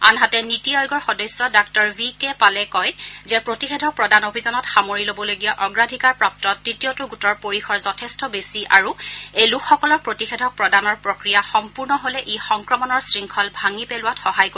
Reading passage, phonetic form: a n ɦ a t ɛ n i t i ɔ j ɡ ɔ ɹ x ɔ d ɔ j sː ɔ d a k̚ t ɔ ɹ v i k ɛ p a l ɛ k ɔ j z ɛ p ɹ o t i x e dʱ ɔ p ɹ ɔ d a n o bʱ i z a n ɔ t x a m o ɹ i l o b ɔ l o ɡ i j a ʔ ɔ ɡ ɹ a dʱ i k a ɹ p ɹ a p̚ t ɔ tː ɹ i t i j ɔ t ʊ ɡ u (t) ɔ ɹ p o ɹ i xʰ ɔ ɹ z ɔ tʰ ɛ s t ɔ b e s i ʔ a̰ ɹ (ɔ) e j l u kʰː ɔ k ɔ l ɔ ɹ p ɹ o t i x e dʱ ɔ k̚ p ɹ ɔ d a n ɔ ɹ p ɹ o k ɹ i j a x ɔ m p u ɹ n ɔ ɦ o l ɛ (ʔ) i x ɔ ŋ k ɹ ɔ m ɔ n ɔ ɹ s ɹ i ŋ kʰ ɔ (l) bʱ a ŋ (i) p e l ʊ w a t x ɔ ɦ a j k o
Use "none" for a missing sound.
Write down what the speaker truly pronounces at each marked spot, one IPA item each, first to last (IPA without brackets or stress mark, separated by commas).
t, u, ʔ, l, i